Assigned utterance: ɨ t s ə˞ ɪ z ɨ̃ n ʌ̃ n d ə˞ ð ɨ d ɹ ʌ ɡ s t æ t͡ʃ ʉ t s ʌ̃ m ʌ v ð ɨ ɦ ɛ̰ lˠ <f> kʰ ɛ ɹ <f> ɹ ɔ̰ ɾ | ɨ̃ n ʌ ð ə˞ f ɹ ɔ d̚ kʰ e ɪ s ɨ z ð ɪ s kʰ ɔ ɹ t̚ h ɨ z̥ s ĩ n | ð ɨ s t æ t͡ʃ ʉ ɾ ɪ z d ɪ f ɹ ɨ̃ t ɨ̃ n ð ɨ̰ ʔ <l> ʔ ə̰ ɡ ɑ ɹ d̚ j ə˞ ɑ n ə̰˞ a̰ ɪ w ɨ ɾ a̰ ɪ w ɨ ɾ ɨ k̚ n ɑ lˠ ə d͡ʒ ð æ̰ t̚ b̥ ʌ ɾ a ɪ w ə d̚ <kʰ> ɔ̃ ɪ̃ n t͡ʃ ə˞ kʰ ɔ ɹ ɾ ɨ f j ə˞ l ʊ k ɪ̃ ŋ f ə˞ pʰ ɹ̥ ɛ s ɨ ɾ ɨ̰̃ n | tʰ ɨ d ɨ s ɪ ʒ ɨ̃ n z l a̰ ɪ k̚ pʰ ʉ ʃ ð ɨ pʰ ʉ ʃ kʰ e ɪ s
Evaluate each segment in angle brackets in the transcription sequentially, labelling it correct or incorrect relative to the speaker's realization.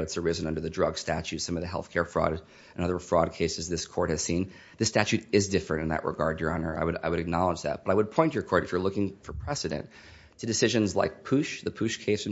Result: incorrect: θ, correct, incorrect: ɹ, incorrect: pʰ

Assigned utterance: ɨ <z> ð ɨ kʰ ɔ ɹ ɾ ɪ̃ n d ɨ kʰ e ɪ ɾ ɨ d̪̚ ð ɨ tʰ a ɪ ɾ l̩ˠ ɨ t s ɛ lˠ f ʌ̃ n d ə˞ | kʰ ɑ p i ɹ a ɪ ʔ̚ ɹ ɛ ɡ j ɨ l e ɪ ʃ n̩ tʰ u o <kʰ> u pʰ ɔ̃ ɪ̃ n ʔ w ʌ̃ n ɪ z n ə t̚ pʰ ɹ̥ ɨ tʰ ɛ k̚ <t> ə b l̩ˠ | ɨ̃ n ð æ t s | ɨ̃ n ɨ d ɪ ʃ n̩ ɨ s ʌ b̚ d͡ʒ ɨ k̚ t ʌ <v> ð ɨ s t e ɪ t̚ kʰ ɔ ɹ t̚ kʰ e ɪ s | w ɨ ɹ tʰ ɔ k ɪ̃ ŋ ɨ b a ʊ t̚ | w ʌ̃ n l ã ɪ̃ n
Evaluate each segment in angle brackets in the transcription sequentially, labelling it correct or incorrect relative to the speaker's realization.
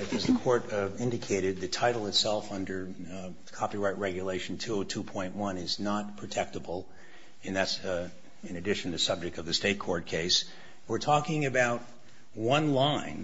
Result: correct, incorrect: tʰ, correct, correct

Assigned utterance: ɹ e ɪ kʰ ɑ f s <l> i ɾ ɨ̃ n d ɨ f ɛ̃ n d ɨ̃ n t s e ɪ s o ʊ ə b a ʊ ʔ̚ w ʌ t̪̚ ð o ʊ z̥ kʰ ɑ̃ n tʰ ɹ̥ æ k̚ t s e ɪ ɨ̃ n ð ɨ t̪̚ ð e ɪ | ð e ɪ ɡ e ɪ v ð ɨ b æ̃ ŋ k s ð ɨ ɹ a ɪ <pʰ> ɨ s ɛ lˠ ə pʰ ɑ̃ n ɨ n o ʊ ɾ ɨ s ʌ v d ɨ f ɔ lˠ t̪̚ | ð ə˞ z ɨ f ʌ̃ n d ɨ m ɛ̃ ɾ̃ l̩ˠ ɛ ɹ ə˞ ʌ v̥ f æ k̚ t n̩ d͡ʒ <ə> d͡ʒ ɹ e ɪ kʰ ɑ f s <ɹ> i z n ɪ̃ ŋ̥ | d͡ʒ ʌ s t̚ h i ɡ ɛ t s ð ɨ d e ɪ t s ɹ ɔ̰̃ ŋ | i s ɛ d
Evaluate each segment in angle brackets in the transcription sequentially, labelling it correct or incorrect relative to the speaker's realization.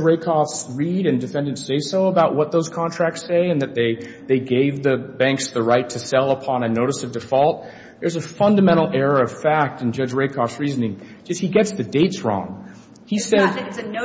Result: incorrect: ɹ, incorrect: tʰ, incorrect: ʌ, correct

